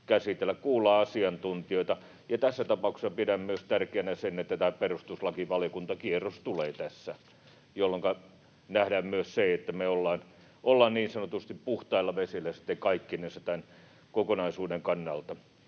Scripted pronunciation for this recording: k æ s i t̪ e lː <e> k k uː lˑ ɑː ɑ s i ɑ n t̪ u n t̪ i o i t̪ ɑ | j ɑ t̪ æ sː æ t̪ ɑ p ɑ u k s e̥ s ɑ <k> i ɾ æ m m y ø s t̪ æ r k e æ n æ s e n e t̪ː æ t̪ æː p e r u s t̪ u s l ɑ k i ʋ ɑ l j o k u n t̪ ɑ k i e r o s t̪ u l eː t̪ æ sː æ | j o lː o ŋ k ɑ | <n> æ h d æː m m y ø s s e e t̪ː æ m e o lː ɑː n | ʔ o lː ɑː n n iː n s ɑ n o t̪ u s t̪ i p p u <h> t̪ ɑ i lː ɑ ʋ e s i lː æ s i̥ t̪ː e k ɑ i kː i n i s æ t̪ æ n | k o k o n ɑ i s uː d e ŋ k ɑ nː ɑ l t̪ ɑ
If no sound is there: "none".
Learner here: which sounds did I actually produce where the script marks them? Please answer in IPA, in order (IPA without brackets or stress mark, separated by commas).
æ, p, n, h